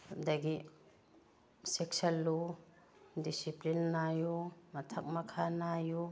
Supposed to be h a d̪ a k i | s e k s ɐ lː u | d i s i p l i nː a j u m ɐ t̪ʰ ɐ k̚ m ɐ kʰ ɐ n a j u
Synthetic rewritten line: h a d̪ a ɡ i | s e k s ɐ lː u | d i s i p l i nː a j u m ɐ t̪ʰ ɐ k̚ m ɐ kʰ a n a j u